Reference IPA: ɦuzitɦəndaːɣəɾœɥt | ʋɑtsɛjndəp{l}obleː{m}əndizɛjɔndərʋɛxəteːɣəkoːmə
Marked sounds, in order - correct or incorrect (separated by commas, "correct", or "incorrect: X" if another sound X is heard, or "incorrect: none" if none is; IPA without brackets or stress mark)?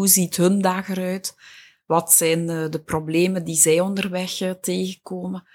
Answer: incorrect: r, correct